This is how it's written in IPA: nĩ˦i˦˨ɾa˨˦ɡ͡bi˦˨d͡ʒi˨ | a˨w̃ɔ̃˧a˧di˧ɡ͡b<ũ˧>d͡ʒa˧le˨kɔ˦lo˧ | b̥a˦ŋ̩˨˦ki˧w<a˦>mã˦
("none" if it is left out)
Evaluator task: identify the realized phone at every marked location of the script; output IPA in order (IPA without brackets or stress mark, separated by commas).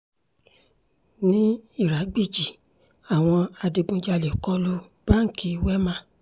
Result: ũ˧, ɛ˦